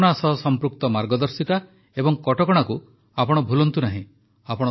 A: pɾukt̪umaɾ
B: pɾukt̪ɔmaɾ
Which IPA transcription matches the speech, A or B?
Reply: B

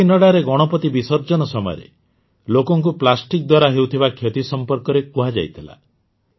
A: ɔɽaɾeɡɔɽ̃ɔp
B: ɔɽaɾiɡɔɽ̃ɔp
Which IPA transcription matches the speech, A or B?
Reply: A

